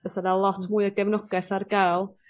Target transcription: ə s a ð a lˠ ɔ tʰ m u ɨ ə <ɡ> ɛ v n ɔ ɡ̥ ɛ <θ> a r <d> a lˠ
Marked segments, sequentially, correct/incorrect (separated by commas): correct, correct, incorrect